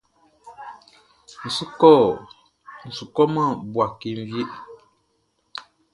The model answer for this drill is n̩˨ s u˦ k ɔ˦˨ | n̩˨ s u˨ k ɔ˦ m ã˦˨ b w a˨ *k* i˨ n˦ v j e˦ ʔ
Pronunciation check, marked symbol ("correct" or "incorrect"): correct